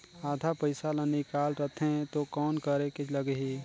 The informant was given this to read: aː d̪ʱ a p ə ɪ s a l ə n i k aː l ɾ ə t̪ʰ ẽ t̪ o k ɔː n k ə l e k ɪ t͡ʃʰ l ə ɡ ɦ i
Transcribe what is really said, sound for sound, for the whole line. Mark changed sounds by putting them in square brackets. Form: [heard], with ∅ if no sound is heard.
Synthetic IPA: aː d̪ʱ a p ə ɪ s a l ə n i k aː l ɾ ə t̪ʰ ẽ t̪ o k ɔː n k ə [ɾ] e k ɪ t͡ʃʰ l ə ɡ ɦ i